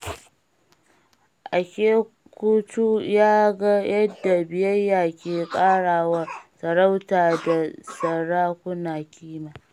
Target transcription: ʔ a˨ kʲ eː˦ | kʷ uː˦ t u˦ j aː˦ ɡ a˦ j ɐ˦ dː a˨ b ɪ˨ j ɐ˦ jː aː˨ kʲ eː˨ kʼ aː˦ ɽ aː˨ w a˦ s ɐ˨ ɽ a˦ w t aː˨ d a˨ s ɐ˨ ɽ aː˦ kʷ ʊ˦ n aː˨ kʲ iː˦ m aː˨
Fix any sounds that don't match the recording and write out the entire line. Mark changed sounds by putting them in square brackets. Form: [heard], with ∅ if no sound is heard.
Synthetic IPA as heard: ʔ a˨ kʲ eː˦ | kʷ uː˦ t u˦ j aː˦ ɡ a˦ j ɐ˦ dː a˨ b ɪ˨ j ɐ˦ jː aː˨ kʲ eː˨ kʼ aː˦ ɽ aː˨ w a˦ s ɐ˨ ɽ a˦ w t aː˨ d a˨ s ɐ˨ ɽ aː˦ kʷ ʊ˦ n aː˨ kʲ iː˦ m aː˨